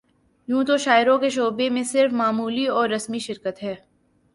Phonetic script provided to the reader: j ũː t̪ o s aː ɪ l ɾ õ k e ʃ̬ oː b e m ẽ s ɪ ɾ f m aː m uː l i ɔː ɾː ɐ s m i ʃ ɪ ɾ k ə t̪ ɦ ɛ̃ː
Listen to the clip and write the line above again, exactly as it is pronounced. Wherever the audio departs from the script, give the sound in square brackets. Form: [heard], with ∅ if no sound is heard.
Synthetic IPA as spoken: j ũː t̪ o [ʃ] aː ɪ [∅] ɾ õ k e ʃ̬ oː b e m ẽ s ɪ ɾ f m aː m uː l i ɔː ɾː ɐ s m i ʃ ɪ ɾ k ə t̪ ɦ [ɛː]